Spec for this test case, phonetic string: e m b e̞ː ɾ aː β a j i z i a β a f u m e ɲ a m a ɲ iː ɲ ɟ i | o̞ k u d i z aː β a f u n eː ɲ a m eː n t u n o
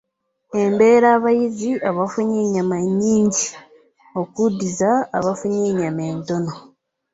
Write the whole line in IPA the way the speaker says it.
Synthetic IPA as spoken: e m b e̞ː ɾ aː β a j i z i a β a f u ɲ e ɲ a m a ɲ iː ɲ ɟ i | o̞ k u d i z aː β a f u ɲ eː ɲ a m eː n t o n o